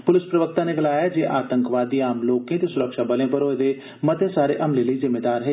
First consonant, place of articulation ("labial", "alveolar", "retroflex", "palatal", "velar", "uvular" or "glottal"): labial